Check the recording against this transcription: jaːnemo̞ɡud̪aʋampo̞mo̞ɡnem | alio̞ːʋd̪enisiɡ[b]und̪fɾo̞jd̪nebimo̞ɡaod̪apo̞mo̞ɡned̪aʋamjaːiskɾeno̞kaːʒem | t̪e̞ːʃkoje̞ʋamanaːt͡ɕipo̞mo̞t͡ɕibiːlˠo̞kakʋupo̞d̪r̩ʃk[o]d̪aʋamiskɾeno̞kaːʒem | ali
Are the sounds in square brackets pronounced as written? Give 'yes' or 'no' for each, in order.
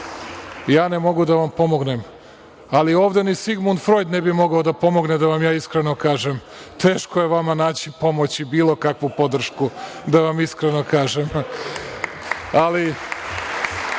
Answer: no, no

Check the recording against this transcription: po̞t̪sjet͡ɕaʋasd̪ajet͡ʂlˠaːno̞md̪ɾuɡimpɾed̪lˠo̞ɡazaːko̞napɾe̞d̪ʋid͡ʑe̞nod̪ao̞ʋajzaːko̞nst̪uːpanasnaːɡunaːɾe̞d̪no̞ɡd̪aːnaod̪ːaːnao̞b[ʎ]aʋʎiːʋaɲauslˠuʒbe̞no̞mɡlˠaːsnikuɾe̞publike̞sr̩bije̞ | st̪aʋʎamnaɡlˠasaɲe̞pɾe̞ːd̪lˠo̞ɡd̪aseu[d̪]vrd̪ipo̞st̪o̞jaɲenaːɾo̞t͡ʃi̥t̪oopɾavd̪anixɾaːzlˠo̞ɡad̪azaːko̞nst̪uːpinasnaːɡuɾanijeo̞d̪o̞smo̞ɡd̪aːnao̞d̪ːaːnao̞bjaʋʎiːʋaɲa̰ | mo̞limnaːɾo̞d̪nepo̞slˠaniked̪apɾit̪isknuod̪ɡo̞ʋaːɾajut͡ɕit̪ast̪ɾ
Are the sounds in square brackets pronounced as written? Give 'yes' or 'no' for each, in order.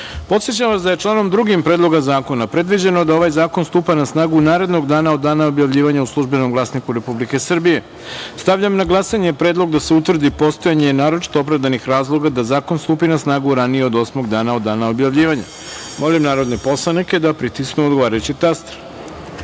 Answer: no, no

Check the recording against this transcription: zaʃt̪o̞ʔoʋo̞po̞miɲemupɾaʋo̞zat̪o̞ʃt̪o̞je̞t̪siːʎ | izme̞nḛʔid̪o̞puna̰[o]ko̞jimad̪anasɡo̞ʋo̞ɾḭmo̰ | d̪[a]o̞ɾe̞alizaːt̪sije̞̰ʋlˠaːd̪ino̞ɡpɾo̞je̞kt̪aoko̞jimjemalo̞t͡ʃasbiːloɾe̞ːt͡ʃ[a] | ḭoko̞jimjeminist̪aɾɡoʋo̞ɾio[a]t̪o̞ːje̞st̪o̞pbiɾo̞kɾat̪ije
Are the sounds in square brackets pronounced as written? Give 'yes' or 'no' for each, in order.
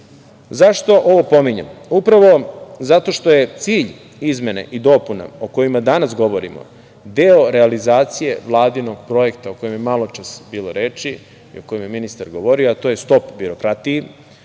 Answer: yes, no, no, yes

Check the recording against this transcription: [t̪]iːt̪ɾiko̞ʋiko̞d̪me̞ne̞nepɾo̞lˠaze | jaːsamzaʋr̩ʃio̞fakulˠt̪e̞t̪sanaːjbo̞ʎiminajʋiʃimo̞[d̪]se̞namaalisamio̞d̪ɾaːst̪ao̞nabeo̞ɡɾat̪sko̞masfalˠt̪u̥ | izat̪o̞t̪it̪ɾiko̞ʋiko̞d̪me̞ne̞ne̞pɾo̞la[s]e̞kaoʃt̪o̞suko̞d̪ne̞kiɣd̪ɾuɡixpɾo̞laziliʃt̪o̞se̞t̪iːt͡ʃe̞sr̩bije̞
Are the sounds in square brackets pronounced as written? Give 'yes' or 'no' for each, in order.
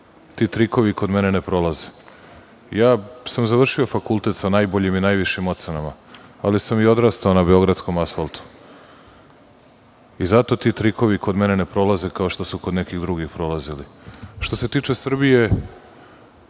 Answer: yes, no, no

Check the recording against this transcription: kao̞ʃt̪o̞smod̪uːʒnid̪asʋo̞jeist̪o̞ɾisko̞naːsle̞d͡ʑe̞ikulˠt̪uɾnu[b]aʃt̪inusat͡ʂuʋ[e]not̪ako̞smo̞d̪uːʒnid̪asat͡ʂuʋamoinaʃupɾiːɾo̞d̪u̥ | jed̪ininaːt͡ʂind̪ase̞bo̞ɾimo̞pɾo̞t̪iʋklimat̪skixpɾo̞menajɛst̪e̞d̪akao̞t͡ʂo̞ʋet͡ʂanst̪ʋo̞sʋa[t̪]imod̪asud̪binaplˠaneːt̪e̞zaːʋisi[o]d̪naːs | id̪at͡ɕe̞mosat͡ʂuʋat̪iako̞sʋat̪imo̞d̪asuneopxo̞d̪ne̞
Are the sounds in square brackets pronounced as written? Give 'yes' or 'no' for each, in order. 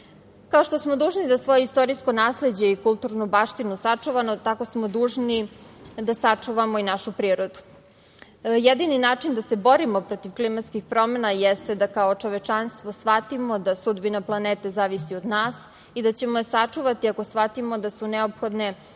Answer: yes, no, yes, yes

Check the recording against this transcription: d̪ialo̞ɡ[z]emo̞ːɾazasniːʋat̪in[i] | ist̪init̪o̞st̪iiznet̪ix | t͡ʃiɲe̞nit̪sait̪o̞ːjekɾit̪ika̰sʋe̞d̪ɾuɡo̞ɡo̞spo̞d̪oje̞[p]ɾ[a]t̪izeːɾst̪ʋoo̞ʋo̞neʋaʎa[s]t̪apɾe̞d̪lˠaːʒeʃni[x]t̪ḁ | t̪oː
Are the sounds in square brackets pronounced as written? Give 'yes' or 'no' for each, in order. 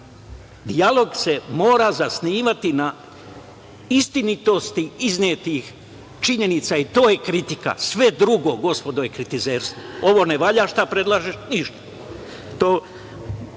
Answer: no, no, no, no, no, no

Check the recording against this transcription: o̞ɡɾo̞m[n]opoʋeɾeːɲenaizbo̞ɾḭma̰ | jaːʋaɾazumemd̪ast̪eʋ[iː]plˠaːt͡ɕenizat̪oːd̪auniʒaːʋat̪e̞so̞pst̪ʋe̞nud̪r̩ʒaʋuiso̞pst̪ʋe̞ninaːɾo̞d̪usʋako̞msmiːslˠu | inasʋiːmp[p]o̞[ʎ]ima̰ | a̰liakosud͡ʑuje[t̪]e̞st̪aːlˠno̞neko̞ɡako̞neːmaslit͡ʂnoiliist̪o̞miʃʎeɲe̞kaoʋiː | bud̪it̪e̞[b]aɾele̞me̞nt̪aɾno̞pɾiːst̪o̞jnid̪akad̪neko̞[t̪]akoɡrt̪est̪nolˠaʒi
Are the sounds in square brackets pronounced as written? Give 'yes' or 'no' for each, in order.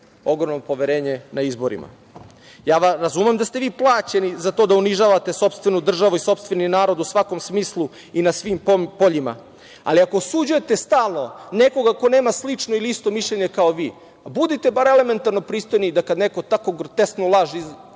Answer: yes, yes, yes, yes, yes, yes, yes

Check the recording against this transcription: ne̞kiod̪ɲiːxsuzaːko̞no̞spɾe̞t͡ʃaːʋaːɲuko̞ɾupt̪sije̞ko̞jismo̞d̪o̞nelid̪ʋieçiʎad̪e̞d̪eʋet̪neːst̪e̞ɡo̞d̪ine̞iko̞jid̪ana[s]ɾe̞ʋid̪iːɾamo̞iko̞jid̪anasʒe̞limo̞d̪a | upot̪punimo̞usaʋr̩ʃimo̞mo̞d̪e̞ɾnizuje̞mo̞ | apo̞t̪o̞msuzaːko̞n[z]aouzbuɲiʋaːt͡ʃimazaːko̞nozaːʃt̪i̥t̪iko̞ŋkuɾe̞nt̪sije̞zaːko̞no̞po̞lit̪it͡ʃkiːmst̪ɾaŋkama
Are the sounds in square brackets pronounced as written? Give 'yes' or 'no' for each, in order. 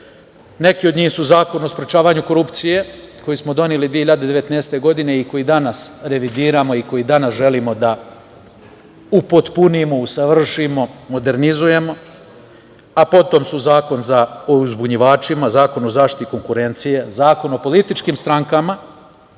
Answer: yes, yes

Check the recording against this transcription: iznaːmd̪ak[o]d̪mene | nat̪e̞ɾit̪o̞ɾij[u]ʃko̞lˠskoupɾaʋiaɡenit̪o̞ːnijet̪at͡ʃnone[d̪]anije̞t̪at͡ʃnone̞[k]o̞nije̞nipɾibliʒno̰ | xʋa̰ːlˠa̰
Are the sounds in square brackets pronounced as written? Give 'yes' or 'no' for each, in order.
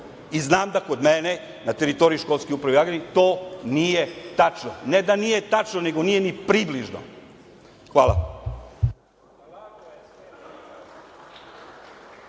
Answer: yes, yes, yes, no

